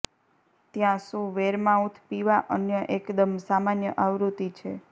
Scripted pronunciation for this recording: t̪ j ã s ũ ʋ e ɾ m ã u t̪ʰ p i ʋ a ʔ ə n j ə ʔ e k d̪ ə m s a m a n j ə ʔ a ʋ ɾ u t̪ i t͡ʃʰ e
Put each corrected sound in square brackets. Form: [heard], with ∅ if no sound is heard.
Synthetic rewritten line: t̪ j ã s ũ ʋ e ɾ m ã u t̪ʰ p i ʋ a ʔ ə n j ə ʔ e k d̪ ə m s a m a n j ə ʔ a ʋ ɾ u t̪ i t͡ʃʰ e